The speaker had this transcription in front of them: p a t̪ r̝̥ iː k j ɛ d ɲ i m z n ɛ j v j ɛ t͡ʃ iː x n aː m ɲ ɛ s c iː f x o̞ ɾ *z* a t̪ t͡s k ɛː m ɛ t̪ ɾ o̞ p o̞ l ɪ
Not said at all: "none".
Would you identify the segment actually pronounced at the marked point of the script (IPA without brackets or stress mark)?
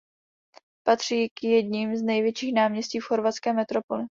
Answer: v